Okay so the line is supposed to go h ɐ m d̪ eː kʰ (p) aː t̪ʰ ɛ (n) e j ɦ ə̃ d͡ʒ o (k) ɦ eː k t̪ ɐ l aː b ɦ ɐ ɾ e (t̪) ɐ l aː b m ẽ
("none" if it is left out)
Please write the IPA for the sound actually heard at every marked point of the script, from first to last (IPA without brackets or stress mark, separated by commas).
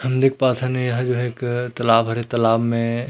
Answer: p, n, none, t̪